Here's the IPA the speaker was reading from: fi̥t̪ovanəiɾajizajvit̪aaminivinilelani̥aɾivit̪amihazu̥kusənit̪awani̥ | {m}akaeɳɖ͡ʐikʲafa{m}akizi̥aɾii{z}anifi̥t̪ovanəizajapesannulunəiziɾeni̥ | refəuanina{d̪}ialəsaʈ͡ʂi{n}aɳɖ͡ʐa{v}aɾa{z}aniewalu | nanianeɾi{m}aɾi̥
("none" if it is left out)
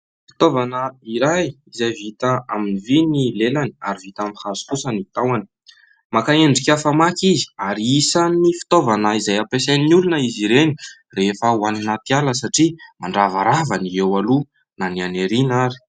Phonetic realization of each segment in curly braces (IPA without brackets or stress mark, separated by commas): m, m, s, t̪, m, v, v, n